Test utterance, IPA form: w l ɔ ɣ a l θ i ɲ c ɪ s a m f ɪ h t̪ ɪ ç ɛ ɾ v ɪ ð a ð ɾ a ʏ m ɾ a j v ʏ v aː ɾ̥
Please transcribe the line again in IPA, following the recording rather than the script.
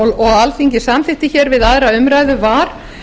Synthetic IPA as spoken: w l ɔ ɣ a l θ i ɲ c ɪ s a m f ɪ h t̪ ɪ ç ɛ ɾ v ɪ ð a ð ɾ a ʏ m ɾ a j ð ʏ v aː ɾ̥